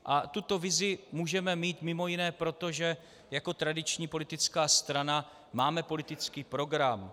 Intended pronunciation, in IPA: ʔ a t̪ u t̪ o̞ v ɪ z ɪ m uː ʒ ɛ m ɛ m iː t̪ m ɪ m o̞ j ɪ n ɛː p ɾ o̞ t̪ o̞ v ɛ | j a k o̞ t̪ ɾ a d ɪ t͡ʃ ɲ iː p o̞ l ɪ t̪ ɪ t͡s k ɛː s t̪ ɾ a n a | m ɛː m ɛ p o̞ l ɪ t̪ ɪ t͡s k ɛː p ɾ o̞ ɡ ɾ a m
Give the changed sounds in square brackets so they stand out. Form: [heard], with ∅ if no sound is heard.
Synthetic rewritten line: ʔ a t̪ u t̪ o̞ v ɪ z ɪ m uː ʒ ɛ m ɛ m iː t̪ m ɪ m o̞ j ɪ n ɛː p ɾ o̞ t̪ o̞ [ʒ] ɛ | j a k o̞ t̪ ɾ a d ɪ t͡ʃ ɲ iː p o̞ l ɪ t̪ ɪ t͡s k [aː] s t̪ ɾ a n a | m [aː] m ɛ p o̞ l ɪ t̪ ɪ t͡s k [iː] p ɾ o̞ ɡ ɾ a m